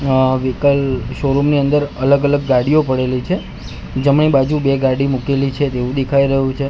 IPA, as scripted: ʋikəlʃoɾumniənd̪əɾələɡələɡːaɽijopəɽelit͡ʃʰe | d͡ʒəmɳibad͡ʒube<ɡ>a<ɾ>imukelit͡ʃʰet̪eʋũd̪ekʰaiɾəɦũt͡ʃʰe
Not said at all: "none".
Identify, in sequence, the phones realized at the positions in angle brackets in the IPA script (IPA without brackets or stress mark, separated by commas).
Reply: ɡ, ɽ